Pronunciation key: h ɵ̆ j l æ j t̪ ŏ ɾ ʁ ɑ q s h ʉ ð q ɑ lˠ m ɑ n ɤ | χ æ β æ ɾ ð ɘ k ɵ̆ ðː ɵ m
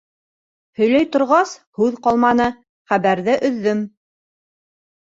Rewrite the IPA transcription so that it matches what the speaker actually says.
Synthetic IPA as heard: h ɵ̆ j l æ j t̪ ŏ ɾ ʁ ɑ s h ʉ ð q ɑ lˠ m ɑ n ɤ | χ æ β æ ɾ ð ɘ ʔ ɵ̆ ðː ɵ m